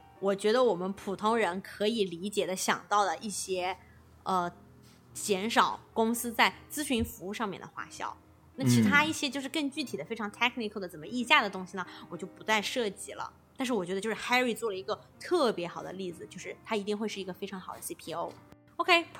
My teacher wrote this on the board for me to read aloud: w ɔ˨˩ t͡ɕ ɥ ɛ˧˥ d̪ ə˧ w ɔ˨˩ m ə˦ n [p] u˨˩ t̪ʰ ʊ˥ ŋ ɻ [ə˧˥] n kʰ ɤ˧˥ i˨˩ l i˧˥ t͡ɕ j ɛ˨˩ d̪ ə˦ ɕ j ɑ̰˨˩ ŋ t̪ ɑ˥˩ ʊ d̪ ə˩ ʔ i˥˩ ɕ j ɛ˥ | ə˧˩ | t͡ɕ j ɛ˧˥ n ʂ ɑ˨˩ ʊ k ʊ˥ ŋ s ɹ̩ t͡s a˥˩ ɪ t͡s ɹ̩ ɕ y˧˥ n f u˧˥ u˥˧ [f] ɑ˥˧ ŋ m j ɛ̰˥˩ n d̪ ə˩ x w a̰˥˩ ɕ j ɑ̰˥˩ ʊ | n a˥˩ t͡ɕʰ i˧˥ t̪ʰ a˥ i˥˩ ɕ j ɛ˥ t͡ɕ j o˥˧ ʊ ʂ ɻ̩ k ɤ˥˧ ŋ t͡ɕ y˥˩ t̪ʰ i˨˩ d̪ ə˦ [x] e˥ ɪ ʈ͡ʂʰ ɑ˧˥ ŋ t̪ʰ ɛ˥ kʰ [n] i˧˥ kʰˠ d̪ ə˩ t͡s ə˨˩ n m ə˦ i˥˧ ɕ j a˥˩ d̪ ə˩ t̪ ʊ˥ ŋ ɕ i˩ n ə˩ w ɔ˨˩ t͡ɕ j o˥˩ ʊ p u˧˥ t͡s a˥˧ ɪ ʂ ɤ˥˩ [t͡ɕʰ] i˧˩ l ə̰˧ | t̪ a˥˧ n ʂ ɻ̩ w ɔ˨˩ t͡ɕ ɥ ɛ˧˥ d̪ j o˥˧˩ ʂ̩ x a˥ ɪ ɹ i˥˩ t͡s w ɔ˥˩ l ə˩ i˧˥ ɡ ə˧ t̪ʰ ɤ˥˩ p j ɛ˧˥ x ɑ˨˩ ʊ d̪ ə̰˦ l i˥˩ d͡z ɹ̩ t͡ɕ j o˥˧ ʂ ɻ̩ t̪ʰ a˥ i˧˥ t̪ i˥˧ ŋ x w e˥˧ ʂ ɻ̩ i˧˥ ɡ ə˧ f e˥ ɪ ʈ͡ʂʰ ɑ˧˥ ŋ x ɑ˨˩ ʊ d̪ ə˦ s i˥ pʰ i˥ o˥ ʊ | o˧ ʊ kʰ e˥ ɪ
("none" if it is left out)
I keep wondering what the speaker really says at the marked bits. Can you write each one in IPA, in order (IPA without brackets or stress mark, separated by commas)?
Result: pʰ, ə˧˥, ʂ, f, n, t͡ɕ